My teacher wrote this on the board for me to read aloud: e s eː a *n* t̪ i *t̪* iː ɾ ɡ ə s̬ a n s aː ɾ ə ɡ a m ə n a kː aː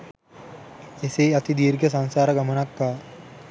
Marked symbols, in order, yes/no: no, no

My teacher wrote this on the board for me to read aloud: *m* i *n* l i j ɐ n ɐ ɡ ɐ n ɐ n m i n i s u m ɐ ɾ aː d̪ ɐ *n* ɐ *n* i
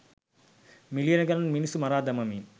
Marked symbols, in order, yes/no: yes, no, no, no

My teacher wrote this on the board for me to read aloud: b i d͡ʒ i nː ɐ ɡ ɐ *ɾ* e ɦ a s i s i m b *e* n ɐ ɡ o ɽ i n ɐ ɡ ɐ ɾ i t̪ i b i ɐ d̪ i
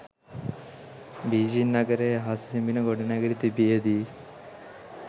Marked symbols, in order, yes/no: yes, no

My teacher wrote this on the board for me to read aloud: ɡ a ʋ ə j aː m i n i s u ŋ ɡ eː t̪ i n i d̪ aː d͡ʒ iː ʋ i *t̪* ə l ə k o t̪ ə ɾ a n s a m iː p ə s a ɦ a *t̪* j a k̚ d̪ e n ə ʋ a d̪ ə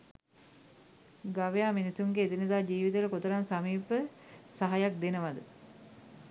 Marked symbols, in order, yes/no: yes, no

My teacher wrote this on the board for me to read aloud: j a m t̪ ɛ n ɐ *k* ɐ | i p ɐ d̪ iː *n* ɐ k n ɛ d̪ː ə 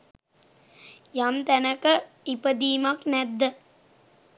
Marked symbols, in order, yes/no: yes, no

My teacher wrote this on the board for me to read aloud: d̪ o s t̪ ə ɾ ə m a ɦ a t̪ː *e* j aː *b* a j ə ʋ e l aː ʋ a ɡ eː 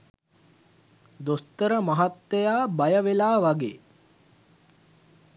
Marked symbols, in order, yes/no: yes, yes

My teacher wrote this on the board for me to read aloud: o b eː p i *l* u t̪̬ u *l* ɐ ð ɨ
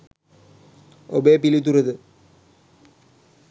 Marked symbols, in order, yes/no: yes, no

